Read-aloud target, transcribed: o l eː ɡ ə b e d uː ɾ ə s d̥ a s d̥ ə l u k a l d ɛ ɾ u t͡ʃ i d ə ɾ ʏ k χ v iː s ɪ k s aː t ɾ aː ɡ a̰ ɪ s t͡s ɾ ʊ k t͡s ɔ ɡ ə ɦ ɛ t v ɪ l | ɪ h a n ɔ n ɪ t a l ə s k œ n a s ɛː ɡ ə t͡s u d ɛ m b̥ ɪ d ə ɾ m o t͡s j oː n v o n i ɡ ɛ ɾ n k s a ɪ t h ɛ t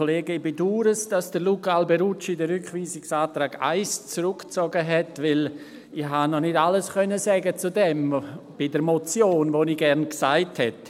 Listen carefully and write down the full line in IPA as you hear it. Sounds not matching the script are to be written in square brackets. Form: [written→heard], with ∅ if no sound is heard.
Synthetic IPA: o l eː ɡ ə b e d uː ɾ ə s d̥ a s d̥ ə l u k a l [d→b] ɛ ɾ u t͡ʃ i d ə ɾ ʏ k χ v iː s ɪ k s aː t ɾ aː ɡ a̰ ɪ s t͡s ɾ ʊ k t͡s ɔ ɡ ə ɦ ɛ t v ɪ l | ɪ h a n ɔ n ɪ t a l ə s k œ n [a→ə] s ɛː ɡ ə t͡s u d ɛ m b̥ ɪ d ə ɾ m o t͡s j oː n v o n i ɡ ɛ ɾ n k s a ɪ t h ɛ t